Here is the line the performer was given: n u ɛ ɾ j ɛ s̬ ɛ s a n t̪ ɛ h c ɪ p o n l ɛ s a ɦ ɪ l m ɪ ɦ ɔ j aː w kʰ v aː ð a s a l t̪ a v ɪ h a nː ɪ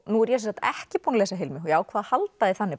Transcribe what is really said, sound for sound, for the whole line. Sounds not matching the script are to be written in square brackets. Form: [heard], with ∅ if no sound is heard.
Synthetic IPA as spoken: n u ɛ ɾ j ɛ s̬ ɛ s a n t̪ ɛ h c ɪ p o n l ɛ s a ɦ ɪ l m ɪ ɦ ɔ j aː w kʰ v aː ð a [h] a l t̪ a [ð] ɪ [θ] a nː ɪ